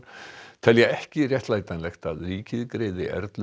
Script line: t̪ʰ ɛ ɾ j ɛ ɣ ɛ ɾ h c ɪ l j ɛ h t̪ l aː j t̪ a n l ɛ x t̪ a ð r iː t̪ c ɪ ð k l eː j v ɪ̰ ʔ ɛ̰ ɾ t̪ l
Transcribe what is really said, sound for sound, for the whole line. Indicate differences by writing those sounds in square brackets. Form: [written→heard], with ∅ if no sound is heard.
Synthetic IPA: t̪ʰ ɛ [ɾ→l] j ɛ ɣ ɛ [ɾ→∅] h c ɪ [l→r] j ɛ h t̪ l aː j t̪ a n l ɛ x t̪ a ð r iː [t̪→∅] c ɪ ð k [l→ɾ] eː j [v→ð] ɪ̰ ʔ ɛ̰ ɾ t̪ l